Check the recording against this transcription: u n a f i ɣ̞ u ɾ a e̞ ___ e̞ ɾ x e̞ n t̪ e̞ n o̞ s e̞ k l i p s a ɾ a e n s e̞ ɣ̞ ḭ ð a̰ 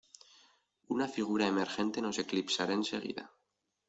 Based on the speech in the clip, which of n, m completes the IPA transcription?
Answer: m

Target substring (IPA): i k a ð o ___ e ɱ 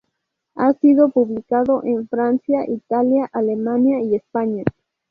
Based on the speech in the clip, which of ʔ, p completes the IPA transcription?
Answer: ʔ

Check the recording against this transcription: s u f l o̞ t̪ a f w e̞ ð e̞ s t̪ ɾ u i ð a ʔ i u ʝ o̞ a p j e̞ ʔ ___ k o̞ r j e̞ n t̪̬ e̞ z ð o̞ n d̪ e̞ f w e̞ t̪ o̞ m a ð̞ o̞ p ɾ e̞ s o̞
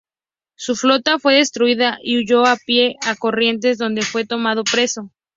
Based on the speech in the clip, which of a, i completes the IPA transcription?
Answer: a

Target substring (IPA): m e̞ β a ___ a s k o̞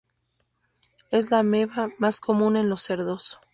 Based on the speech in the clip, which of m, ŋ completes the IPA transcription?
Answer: m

